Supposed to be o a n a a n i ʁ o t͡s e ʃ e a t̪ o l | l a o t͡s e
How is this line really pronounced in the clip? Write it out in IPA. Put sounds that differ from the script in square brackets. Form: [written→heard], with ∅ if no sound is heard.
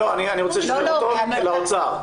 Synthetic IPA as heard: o a n [a→i] a n i ʁ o t͡s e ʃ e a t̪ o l | l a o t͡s [e→a]